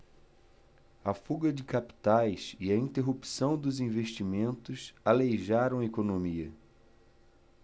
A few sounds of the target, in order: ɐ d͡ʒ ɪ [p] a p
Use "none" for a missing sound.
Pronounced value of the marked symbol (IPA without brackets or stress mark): k